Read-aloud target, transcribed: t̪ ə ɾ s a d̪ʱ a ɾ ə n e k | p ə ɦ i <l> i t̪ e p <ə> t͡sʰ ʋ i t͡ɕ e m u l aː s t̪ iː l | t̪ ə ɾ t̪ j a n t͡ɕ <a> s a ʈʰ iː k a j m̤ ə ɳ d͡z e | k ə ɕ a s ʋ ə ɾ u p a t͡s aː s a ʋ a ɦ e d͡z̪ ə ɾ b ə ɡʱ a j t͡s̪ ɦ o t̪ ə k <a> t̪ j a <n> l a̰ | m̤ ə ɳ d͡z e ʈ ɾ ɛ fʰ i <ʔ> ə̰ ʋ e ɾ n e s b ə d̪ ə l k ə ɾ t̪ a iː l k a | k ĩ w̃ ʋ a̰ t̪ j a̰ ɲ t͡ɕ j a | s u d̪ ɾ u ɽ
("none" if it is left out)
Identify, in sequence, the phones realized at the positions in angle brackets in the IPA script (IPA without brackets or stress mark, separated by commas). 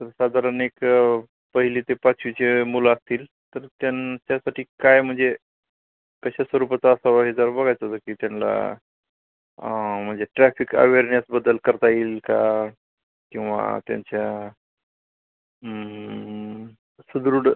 l, a, a, i, n, k